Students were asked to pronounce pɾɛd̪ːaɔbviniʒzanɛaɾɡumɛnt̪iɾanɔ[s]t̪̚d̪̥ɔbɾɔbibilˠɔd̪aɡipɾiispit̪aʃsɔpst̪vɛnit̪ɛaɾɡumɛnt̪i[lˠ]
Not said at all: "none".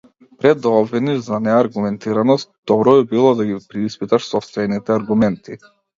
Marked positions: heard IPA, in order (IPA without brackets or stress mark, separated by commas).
s, none